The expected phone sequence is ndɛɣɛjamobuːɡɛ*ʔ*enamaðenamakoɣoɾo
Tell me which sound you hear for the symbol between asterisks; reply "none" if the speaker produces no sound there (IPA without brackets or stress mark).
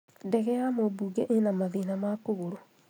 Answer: ʔ